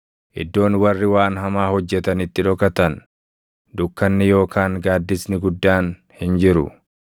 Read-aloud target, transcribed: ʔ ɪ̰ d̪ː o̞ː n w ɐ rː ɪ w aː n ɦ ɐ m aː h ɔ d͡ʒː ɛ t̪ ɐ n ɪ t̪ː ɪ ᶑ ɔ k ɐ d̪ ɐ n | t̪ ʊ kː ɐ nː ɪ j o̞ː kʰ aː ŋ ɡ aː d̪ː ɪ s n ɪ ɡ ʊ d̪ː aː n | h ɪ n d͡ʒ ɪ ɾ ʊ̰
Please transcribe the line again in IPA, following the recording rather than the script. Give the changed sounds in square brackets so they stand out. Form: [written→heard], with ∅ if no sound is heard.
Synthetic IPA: ʔ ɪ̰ d̪ː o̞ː n w ɐ rː ɪ w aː n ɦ ɐ m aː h ɔ d͡ʒː ɛ t̪ ɐ n ɪ t̪ː ɪ ᶑ ɔ k ɐ [d̪→t̪] ɐ n | [t̪→d̪] ʊ kː ɐ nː ɪ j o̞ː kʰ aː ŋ ɡ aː d̪ː ɪ s n ɪ ɡ ʊ d̪ː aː n | h ɪ n d͡ʒ ɪ ɾ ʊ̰